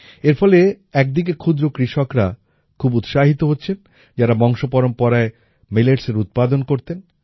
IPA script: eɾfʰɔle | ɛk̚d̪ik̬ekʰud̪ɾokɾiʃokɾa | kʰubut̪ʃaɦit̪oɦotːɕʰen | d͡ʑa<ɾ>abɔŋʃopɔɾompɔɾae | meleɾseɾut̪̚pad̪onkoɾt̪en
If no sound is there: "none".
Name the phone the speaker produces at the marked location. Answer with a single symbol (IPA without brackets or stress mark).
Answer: ɾ